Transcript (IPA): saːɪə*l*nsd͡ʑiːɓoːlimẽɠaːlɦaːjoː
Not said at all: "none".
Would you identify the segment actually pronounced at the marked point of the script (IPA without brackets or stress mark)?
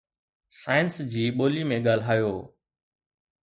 none